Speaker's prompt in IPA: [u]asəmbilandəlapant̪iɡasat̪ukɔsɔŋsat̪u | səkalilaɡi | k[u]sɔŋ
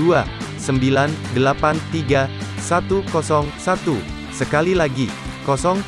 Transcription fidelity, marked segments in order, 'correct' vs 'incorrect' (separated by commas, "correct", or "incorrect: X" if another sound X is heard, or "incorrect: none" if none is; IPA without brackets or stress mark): correct, incorrect: ɔ